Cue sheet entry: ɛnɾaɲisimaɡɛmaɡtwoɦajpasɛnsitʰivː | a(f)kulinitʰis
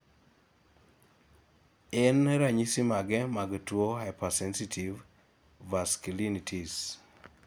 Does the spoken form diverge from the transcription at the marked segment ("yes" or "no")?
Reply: yes